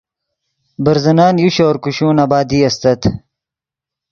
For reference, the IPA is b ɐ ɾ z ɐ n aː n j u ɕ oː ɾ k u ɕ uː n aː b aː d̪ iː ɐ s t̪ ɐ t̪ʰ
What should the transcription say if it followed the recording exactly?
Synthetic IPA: b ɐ ɾ z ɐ n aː n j u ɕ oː ɾ k u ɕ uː n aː b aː d̪ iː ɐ s t̪ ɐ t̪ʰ